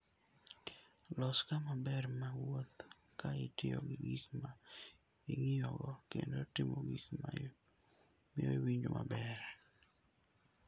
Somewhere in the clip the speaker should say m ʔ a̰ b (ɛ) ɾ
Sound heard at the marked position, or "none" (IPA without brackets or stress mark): ɛ